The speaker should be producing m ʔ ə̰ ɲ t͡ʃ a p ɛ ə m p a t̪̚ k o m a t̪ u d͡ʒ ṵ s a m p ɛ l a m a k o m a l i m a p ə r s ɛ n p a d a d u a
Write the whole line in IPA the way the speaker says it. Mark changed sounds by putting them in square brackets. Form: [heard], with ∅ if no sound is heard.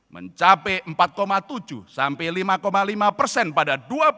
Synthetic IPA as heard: m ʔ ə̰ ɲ t͡ʃ a p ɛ ə m p a t̪̚ k o m a t̪ u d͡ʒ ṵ s a m p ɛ l [i] m a k o m a l i m a p ə r s ɛ n p a d a d u a